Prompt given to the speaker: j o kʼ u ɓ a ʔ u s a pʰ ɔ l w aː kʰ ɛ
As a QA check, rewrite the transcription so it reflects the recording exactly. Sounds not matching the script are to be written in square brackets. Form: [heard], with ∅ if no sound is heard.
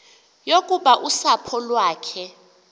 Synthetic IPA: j o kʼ u ɓ a ʔ u s a pʰ ɔ l w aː kʰ ɛ

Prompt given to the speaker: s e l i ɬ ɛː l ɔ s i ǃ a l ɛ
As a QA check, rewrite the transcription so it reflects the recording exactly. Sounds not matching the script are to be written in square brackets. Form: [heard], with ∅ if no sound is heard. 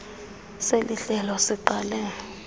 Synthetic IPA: s e l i ɬ [ɛ] l ɔ s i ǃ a l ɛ

